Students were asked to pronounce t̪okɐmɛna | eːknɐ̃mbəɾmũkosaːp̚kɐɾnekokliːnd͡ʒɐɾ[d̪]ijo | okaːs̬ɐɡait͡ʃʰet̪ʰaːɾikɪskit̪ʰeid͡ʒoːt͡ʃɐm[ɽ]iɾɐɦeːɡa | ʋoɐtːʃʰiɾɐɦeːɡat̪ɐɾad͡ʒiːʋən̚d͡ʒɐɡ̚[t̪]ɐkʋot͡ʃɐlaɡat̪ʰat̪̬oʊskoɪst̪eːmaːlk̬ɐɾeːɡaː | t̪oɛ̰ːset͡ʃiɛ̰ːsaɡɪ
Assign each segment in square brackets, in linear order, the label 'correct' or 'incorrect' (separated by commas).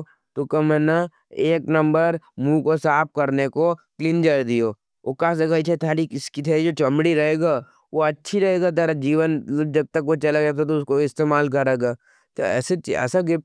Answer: correct, correct, correct